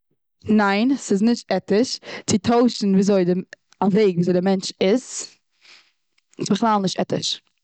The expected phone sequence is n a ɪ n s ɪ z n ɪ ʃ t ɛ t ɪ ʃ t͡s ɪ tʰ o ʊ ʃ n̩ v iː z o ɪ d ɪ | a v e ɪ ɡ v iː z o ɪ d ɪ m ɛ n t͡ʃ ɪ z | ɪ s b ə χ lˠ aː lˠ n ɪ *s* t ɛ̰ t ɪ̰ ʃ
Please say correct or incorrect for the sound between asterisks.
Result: incorrect: ʃ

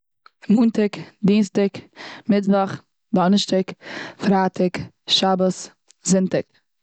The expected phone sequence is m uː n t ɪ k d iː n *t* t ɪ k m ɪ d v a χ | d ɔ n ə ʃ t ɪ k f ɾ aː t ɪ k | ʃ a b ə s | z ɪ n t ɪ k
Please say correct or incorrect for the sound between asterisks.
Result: incorrect: s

